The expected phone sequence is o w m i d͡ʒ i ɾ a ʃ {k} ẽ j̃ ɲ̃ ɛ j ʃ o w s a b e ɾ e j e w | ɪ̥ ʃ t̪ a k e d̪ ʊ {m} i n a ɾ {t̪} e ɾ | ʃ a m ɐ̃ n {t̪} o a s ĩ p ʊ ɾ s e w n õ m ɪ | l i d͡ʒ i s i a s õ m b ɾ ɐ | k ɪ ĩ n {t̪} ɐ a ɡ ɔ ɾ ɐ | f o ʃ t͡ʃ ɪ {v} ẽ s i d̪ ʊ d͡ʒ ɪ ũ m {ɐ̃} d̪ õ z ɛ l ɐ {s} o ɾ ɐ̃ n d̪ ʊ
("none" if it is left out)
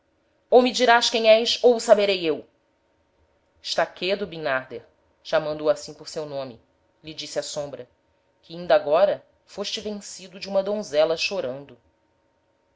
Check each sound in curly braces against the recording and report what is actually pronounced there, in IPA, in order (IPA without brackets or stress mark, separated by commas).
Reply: k, b, d̪, d̪, d̪, v, ɐ, ʃ